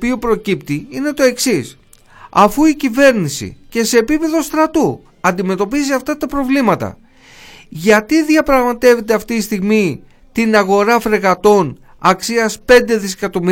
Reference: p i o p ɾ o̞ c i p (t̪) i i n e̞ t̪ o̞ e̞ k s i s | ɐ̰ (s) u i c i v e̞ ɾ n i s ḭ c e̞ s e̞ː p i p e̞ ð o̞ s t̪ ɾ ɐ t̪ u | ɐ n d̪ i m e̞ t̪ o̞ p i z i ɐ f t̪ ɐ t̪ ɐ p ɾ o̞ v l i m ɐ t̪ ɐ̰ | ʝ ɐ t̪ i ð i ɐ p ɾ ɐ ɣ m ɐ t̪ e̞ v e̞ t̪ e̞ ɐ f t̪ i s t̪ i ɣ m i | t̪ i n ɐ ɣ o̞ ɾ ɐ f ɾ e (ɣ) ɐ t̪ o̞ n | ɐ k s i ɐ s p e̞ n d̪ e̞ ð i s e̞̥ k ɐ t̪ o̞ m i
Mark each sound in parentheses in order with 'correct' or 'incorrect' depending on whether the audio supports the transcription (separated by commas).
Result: correct, incorrect, correct